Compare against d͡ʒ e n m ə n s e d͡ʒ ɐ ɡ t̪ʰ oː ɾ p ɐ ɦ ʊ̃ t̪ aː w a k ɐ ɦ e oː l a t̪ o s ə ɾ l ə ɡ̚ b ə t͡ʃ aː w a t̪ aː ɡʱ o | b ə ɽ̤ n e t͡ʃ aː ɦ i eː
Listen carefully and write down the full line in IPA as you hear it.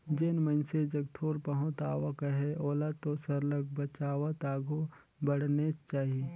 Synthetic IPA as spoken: d͡ʒ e n m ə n s e d͡ʒ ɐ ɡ t̪ʰ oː ɾ p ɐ ɦ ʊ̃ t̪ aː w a k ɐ ɦ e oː l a t̪ o s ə ɾ l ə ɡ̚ b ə t͡ʃ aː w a t̪ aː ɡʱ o | b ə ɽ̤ n e t͡ʃ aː ɦ i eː